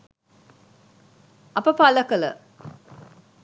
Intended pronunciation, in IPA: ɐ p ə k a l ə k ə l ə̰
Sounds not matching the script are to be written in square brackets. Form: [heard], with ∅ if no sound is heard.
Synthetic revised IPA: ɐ p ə [p] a l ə k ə l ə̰